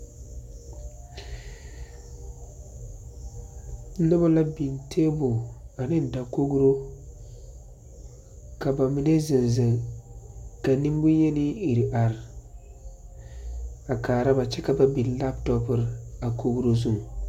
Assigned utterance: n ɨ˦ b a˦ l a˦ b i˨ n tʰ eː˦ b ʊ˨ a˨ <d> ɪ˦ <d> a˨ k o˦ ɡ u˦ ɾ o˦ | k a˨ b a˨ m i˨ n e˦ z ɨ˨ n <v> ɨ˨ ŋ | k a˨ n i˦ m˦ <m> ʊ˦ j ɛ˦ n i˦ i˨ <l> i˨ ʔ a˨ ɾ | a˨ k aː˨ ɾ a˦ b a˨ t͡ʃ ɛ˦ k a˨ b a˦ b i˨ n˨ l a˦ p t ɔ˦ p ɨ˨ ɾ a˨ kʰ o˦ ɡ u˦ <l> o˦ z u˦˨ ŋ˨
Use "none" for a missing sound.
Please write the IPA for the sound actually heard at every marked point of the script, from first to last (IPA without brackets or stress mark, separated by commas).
n, d, z, b, ɾ, ɾ